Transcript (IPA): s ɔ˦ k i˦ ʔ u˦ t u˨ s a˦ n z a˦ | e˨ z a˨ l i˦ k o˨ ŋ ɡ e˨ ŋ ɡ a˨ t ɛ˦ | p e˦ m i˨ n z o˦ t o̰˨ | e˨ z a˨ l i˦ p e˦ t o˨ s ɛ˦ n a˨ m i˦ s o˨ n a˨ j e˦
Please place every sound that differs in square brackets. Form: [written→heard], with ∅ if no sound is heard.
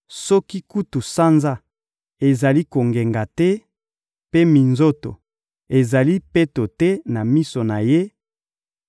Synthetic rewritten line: s ɔ˦ k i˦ [ʔ→k] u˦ t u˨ s a˦ n z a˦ | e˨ z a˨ l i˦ k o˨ ŋ ɡ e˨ ŋ ɡ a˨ t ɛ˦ | p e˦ m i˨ n z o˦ t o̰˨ | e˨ z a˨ l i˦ p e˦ t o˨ [s→t] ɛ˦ n a˨ m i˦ s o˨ n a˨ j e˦